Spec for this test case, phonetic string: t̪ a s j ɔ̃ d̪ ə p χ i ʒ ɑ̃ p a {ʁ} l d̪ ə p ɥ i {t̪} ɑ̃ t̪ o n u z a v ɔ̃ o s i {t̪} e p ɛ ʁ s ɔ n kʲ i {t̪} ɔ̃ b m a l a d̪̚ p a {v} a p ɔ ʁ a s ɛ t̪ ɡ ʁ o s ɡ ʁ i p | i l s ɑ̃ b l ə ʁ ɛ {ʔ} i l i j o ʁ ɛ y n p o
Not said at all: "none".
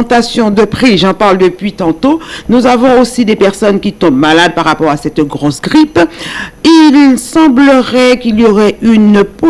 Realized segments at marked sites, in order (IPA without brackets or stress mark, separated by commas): ʁ, t̪, d̪, t̪, ʁ, k